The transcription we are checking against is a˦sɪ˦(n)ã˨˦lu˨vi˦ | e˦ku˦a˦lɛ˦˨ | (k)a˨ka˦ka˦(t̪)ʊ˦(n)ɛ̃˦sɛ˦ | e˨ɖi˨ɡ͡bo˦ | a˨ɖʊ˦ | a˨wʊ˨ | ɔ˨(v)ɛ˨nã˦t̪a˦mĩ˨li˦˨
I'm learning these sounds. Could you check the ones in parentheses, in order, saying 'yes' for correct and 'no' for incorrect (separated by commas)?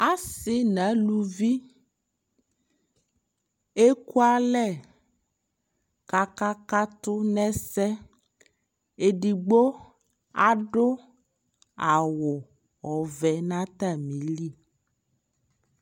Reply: yes, yes, yes, yes, yes